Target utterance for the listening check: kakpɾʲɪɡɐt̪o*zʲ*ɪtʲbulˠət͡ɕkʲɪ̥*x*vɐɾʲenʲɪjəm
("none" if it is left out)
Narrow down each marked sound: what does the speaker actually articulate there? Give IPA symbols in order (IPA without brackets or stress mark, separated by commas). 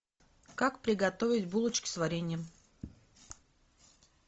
vʲ, s